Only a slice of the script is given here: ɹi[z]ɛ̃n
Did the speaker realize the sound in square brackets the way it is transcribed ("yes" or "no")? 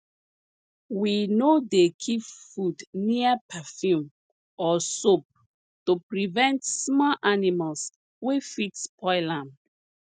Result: no